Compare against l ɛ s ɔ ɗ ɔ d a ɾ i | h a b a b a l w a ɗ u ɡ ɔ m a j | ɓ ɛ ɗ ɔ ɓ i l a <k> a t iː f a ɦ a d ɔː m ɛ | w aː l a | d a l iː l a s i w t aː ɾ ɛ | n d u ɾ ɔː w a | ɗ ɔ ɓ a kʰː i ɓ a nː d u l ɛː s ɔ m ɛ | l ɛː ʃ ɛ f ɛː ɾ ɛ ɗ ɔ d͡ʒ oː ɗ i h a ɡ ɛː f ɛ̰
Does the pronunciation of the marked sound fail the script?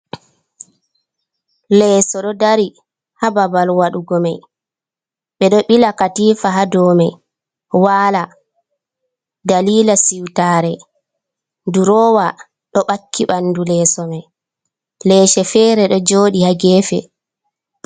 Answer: no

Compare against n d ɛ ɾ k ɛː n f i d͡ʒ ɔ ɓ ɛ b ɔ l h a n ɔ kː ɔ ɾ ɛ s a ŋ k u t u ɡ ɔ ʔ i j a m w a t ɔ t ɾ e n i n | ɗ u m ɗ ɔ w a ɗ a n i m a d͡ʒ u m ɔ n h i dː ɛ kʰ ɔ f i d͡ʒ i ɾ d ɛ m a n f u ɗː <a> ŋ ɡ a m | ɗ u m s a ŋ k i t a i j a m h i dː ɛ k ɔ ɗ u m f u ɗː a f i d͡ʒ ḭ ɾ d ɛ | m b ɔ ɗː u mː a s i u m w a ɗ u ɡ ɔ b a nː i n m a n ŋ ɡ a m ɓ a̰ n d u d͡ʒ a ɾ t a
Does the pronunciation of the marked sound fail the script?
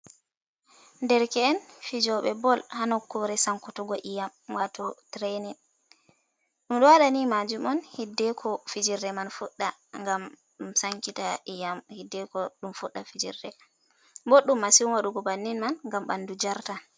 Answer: no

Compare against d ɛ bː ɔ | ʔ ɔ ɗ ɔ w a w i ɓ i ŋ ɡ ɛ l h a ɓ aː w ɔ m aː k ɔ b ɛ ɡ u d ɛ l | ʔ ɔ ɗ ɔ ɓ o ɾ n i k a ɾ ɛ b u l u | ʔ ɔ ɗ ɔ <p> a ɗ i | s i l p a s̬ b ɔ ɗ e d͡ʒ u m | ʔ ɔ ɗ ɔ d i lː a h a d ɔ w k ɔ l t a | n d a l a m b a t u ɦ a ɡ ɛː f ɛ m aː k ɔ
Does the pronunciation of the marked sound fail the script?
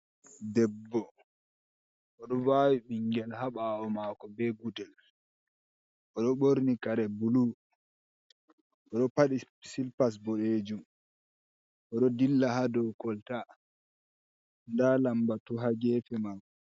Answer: no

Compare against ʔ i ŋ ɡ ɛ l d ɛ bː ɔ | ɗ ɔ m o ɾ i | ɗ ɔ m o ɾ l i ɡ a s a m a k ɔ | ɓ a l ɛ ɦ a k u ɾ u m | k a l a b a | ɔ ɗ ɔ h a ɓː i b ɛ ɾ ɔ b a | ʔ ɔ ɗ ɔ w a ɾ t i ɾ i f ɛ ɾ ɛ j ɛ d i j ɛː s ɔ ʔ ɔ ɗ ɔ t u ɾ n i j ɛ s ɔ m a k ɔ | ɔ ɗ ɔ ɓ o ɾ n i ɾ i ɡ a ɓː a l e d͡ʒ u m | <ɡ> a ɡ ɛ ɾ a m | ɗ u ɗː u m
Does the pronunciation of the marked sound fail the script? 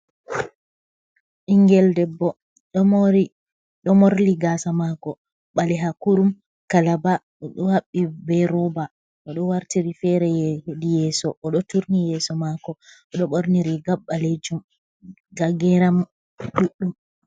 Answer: no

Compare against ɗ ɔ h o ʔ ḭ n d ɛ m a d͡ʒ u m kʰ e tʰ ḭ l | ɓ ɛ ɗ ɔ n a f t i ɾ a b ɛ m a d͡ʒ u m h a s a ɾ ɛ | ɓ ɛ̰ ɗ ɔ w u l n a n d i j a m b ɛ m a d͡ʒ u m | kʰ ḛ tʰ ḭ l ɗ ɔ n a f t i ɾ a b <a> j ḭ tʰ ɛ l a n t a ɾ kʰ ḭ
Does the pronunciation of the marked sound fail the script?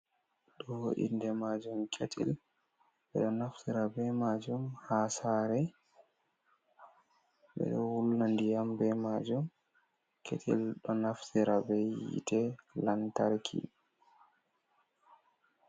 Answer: yes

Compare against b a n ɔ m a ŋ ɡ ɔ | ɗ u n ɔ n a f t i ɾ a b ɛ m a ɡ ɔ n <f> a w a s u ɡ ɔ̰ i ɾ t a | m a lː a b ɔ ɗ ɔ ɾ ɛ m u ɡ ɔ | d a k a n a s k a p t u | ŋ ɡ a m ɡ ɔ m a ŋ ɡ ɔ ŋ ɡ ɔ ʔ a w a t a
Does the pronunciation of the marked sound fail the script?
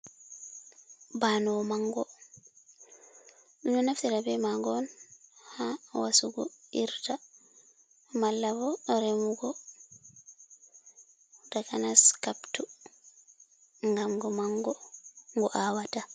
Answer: yes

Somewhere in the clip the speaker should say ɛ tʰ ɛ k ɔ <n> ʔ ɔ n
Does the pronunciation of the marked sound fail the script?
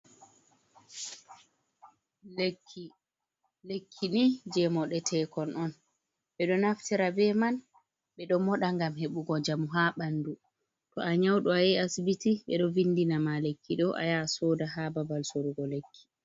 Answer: no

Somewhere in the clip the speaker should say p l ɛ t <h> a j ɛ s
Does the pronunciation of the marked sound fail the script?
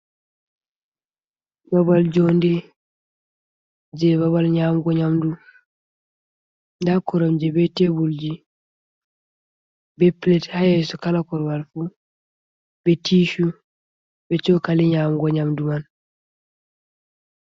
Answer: no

